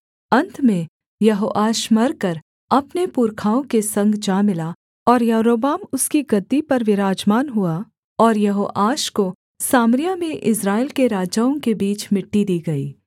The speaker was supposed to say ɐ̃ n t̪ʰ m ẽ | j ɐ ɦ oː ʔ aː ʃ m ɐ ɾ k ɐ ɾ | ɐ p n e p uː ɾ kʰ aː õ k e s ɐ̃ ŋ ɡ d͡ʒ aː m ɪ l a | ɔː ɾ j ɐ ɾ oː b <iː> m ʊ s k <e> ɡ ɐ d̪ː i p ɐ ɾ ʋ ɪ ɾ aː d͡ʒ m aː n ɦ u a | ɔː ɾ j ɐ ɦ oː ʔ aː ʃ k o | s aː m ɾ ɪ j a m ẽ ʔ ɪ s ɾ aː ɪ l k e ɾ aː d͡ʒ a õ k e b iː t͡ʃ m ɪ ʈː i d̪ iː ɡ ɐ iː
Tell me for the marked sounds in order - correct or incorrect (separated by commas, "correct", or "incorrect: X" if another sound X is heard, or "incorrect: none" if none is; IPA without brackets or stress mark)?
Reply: incorrect: aː, incorrect: i